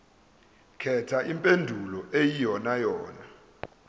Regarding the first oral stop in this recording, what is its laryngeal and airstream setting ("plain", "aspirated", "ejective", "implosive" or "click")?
aspirated